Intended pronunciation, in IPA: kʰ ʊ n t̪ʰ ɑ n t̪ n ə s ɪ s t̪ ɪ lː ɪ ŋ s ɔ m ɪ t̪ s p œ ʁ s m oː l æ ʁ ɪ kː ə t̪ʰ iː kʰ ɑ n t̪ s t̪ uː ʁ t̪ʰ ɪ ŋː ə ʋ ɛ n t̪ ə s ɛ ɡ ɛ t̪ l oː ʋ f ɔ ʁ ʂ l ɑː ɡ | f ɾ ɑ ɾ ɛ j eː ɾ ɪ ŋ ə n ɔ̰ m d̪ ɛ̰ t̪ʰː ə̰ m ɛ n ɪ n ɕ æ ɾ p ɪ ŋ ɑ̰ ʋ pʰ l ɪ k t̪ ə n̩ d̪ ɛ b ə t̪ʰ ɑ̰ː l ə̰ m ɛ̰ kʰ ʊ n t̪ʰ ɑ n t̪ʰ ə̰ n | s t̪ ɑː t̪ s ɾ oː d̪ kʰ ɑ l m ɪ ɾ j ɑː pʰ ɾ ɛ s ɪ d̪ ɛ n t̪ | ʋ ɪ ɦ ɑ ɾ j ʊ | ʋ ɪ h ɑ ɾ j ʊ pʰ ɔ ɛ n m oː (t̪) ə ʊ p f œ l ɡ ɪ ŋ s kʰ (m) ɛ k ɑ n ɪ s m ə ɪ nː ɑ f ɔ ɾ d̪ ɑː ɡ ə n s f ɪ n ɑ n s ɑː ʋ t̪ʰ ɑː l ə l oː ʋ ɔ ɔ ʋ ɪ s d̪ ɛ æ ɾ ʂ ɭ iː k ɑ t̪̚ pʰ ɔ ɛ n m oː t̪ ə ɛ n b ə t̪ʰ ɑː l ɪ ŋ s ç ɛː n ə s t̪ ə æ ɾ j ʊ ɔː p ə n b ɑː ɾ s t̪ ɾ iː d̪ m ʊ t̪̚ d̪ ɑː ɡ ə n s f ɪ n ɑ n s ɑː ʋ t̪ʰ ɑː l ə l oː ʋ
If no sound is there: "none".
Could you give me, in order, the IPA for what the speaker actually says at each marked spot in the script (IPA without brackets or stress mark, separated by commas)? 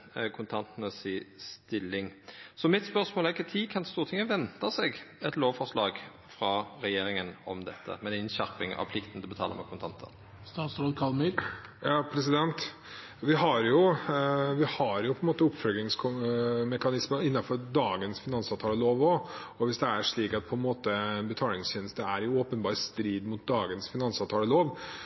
t̪, m